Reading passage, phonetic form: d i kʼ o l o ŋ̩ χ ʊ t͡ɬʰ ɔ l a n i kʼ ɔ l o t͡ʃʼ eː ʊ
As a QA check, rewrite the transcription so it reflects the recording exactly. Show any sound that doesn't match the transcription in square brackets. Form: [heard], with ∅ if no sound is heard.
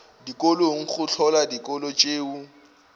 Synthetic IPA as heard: d i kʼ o l o ŋ̩ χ ʊ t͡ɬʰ ɔ l a [d] i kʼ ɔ l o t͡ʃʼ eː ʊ